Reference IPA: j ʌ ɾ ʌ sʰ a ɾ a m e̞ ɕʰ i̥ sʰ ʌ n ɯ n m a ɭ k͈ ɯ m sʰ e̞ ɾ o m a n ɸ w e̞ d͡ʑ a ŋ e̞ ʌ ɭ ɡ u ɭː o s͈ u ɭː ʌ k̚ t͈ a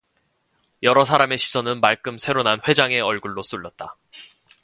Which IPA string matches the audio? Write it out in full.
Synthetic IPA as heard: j ʌ ɾ ʌ sʰ a ɾ a m e̞ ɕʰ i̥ sʰ ʌ n ɯ n m a ɭ k͈ ɯ m sʰ e̞ ɾ o n a n ɸ w e̞ d͡ʑ a ŋ e̞ ʌ ɭ ɡ u ɭː o s͈ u ɭː ʌ t̚ t͈ a